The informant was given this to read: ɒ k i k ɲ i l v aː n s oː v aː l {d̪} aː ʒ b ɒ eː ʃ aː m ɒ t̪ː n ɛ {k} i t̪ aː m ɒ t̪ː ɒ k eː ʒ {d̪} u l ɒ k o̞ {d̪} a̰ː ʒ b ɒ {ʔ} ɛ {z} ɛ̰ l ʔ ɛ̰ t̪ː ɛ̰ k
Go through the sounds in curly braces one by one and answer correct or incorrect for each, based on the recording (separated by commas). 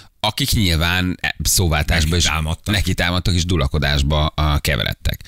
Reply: incorrect, correct, correct, correct, incorrect, incorrect